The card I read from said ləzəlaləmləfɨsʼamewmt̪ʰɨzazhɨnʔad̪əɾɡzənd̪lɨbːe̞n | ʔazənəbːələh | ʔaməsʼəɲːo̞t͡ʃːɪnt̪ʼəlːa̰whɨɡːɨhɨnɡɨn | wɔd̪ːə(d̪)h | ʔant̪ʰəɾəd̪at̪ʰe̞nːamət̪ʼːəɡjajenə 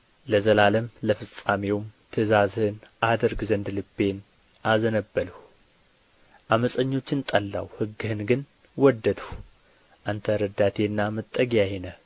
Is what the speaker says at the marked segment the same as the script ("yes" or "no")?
yes